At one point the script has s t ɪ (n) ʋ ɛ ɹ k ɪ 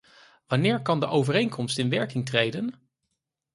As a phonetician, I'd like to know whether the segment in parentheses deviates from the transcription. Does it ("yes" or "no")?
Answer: no